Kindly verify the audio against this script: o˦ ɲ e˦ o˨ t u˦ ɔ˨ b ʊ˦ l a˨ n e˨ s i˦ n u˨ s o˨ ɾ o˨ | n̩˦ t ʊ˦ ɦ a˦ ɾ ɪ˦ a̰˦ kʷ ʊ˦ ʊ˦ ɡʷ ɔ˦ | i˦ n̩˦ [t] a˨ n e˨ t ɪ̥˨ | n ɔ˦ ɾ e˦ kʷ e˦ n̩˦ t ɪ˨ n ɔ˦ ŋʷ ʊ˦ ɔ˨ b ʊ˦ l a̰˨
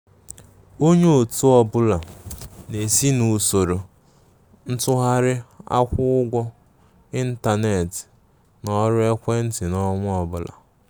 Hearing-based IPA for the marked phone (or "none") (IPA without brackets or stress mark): t